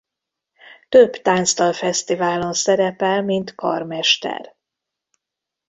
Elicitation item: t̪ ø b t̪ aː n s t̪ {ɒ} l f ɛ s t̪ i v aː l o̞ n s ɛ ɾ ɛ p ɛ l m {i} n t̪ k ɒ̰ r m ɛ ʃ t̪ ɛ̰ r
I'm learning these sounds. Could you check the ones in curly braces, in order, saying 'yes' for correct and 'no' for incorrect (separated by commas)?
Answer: yes, yes